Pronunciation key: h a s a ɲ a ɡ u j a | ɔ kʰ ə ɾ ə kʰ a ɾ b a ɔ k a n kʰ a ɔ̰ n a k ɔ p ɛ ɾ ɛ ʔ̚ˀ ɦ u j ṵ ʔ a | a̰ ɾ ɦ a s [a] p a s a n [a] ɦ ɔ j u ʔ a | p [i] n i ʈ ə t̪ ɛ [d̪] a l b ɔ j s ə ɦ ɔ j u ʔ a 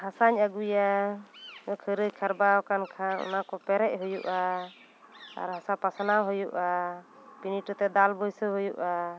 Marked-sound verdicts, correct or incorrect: correct, correct, correct, correct

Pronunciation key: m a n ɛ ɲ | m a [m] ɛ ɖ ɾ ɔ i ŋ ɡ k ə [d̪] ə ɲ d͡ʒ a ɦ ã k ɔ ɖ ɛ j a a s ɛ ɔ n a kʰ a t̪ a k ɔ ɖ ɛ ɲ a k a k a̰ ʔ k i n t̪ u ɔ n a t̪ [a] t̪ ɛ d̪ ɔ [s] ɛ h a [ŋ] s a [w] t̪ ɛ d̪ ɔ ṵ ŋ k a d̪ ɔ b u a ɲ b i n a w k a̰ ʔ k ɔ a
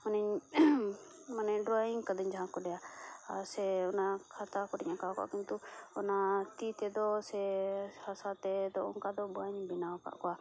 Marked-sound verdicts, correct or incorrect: incorrect, correct, incorrect, correct, incorrect, incorrect

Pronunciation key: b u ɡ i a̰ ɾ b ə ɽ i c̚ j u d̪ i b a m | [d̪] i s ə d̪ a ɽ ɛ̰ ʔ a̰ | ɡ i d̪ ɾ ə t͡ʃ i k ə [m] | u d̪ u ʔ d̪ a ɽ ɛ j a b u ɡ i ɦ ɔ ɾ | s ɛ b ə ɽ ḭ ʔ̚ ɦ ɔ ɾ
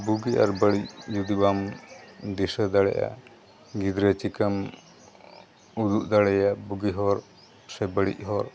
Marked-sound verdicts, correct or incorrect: correct, correct

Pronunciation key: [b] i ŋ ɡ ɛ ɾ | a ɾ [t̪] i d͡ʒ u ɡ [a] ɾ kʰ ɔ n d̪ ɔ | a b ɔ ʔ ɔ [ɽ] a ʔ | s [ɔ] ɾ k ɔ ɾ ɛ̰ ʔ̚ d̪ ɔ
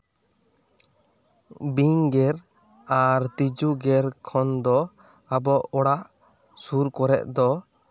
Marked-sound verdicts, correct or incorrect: correct, correct, incorrect, correct, incorrect

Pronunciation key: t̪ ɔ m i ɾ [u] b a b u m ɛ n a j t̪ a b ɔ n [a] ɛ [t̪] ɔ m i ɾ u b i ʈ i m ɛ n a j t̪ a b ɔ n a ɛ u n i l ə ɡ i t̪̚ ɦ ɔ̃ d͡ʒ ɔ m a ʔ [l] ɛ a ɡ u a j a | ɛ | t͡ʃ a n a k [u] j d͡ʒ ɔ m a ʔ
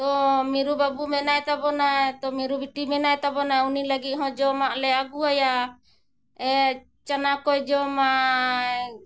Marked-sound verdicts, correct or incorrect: correct, correct, correct, correct, incorrect

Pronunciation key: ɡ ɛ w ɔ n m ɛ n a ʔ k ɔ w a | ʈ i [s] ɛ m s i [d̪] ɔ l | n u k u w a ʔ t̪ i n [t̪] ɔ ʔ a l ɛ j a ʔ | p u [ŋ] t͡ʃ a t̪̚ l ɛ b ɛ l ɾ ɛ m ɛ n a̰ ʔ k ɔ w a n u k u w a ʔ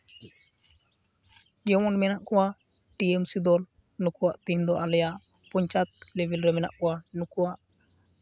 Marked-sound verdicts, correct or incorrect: incorrect, correct, incorrect, incorrect

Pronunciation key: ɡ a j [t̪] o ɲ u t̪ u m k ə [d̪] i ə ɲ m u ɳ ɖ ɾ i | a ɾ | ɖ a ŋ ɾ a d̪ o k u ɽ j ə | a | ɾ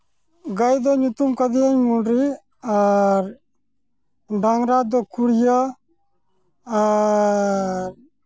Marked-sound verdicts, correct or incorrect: incorrect, correct

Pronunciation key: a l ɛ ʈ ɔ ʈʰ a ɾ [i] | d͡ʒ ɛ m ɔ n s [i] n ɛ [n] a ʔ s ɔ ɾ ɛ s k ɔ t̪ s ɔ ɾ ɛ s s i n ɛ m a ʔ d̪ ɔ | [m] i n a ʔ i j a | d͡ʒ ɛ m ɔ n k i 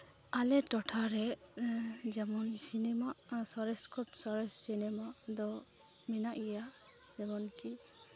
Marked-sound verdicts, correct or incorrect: incorrect, correct, incorrect, correct

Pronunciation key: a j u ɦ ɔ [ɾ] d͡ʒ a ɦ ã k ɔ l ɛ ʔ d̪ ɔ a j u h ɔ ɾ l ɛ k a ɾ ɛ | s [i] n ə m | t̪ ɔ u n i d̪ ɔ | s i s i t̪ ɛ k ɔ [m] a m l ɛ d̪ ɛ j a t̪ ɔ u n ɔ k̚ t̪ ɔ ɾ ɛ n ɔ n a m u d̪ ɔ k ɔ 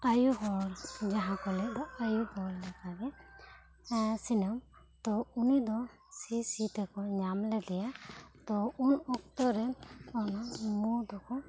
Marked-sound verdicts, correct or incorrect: correct, correct, incorrect

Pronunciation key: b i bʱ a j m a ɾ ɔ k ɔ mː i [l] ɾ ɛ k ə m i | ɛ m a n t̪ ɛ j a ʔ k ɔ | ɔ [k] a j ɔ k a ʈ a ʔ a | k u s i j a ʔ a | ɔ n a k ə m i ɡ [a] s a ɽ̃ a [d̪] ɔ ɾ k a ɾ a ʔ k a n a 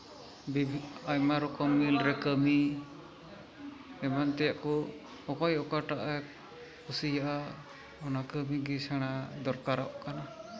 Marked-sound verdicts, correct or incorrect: correct, correct, incorrect, correct

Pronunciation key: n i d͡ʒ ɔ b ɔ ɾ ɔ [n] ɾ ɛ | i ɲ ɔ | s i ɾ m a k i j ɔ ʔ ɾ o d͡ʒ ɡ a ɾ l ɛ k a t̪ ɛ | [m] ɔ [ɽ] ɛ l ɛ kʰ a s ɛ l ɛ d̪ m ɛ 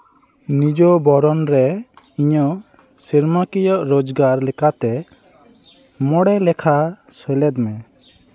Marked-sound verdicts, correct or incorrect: correct, correct, correct

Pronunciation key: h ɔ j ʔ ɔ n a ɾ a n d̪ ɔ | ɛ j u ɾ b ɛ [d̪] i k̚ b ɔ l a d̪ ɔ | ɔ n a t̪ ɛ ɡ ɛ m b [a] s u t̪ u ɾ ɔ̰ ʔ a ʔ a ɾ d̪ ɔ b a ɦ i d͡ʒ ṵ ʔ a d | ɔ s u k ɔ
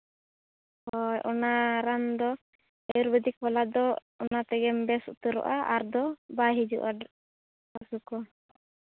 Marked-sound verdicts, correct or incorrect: correct, incorrect

